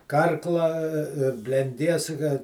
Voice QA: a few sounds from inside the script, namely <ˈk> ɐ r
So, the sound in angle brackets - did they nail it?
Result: yes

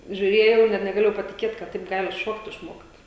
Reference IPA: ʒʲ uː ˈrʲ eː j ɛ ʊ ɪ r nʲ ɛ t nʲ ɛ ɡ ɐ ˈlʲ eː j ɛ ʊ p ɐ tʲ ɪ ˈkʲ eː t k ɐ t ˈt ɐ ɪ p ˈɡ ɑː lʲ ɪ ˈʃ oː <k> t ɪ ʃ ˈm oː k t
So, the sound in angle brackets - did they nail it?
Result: yes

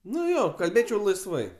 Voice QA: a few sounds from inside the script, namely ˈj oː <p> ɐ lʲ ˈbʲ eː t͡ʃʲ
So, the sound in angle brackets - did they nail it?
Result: no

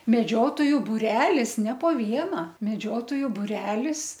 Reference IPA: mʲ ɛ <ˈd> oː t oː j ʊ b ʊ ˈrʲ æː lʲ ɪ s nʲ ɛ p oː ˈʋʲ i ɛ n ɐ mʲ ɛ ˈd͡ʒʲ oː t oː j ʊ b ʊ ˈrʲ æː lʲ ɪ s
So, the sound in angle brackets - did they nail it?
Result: no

